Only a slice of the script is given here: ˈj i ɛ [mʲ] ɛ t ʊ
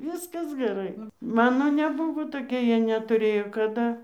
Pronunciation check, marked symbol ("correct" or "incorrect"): incorrect